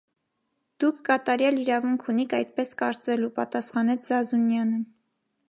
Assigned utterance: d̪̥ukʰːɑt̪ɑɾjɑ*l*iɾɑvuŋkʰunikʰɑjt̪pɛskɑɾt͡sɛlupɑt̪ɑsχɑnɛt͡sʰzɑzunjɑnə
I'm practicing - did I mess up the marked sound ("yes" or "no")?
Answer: no